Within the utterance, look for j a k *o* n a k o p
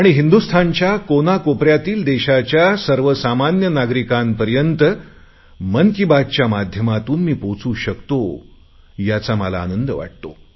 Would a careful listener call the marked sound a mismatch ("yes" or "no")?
no